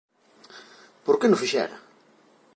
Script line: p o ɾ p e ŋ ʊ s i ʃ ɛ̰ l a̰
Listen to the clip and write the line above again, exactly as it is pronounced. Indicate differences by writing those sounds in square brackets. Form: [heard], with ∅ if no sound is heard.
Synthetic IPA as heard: p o ɾ [k] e [n] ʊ [f] i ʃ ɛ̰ [ɾ] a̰